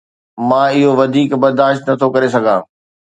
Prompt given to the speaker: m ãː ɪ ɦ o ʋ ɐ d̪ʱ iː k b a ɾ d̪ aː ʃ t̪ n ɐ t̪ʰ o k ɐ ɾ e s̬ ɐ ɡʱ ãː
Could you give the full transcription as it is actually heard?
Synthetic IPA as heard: m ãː ɪ ɦ o ʋ ɐ d̪ʱ iː k b ɐ ɾ d̪ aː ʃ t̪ n ɐ t̪ʰ o k ɐ ɾ e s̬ ɐ ɡʱ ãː